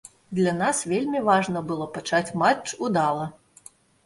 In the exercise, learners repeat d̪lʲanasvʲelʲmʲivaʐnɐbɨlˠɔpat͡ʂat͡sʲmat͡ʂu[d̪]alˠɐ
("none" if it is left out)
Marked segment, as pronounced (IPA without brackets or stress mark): d̪